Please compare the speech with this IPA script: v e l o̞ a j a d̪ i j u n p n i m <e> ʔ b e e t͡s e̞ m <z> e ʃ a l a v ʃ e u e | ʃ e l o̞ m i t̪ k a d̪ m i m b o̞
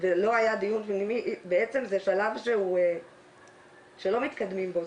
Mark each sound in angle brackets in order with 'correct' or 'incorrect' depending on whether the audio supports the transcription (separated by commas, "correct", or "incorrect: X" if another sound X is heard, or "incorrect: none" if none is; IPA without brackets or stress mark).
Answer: incorrect: i, correct